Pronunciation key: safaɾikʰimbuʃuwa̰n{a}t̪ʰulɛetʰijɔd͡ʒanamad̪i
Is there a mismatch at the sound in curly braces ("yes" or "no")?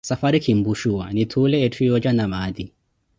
yes